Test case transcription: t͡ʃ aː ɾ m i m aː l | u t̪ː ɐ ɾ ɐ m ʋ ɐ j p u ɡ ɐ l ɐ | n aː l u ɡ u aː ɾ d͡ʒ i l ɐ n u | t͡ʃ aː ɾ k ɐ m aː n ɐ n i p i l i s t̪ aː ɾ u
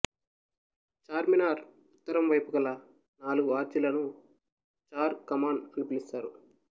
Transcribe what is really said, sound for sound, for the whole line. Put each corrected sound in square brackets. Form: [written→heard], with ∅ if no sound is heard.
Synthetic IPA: t͡ʃ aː ɾ m i [m→n] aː [l→ɾ] | u t̪ː ɐ ɾ ɐ m ʋ ɐ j p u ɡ ɐ l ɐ | n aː l u ɡ u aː ɾ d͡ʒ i l ɐ n u | t͡ʃ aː ɾ k ɐ m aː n ɐ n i p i l i s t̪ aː ɾ u